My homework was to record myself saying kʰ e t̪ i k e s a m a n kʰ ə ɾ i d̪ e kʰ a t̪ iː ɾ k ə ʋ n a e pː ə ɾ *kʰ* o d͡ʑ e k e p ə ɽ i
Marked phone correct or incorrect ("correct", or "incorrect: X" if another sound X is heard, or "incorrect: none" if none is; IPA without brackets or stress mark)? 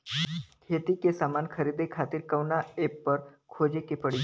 correct